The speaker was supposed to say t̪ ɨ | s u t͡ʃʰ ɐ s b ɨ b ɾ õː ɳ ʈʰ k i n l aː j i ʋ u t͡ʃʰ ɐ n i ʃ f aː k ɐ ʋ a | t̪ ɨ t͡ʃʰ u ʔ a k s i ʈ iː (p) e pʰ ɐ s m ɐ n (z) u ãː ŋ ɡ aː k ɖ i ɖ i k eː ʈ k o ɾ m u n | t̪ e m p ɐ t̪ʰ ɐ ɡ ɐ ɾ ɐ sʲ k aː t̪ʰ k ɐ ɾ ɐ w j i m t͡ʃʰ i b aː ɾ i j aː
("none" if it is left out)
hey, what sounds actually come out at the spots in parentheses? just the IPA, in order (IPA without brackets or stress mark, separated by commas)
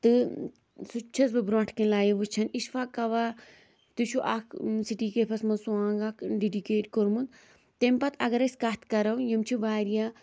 k, s